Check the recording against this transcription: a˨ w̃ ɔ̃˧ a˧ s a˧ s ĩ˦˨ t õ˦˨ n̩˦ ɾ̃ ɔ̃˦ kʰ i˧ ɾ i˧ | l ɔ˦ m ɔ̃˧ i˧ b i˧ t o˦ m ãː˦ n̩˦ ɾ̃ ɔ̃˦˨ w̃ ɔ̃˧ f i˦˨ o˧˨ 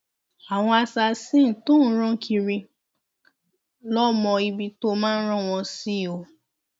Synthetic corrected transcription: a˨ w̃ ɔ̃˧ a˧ s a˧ s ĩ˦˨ t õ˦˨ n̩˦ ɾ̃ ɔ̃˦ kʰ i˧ ɾ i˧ | l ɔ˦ m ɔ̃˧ i˧ b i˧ t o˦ m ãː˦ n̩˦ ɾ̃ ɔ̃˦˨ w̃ ɔ̃˧ s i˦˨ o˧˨